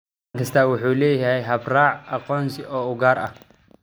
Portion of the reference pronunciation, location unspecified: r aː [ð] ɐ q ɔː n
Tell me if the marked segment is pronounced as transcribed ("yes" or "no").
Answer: no